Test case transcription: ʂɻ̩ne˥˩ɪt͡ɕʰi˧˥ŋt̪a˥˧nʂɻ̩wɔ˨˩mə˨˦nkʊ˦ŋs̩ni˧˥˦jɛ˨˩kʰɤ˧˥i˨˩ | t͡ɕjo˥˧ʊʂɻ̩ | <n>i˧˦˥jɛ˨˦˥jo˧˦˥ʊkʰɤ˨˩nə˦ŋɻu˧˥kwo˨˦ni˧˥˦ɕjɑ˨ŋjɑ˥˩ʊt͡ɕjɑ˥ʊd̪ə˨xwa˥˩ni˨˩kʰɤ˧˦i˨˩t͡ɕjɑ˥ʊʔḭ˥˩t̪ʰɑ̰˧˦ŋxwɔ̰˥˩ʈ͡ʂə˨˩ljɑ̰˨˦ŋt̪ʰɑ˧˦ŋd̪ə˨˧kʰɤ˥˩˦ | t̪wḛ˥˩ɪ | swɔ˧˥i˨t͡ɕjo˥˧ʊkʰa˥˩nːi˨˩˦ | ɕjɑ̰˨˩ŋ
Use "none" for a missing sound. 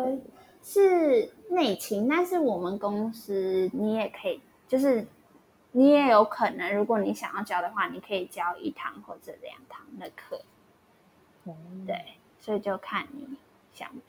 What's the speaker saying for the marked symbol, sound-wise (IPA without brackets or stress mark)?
n